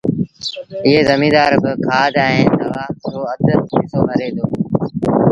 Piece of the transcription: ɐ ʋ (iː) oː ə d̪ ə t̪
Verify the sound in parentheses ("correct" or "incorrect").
incorrect